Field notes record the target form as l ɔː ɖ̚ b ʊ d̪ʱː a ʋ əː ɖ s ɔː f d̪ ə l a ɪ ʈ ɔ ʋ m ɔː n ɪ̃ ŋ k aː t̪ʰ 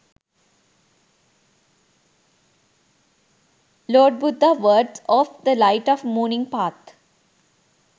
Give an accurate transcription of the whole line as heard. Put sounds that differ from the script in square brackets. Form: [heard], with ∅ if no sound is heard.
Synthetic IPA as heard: l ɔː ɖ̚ b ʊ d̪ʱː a ʋ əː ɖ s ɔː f d̪ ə l a ɪ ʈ ɔ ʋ m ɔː n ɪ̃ ŋ [p] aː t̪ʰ